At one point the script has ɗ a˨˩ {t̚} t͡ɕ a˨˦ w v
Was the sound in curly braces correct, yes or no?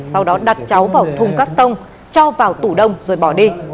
yes